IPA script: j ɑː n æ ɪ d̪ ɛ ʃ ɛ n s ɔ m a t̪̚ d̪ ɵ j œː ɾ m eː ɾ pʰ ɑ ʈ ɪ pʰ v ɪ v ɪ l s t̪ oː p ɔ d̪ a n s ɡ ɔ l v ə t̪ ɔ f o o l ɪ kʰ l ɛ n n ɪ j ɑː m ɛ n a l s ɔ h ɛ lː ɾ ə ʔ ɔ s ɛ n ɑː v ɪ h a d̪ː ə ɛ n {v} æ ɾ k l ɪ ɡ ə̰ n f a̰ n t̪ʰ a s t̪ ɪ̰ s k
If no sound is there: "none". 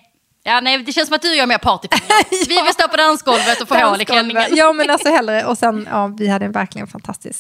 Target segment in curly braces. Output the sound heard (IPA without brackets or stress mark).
v